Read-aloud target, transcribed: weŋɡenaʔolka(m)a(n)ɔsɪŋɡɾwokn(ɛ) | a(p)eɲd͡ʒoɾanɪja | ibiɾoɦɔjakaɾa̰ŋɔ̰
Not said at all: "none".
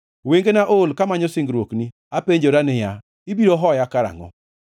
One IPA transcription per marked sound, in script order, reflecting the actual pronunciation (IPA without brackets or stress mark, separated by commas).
m, ɲ, i, p